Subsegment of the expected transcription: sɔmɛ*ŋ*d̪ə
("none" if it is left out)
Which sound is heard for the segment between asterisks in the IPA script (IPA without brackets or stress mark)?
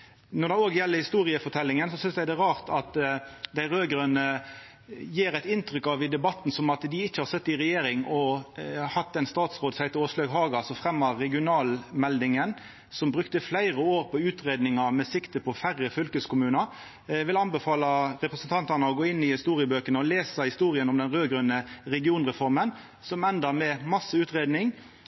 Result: n